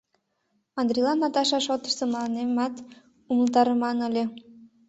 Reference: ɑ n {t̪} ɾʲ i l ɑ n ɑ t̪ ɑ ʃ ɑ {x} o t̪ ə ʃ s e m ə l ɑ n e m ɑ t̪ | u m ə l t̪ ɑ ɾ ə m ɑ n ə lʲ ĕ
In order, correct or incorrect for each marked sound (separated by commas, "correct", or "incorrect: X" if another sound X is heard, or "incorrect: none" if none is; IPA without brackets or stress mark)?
incorrect: d̪, incorrect: ʃ